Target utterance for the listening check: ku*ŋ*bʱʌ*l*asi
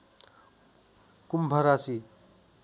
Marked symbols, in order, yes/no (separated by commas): no, no